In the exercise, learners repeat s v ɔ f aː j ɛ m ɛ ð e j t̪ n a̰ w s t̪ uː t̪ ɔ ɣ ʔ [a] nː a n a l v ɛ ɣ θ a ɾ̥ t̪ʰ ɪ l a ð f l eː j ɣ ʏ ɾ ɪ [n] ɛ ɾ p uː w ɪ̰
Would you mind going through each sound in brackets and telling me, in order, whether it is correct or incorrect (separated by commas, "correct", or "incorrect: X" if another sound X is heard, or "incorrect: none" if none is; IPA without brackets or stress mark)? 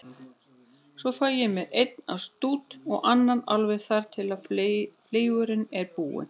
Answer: correct, correct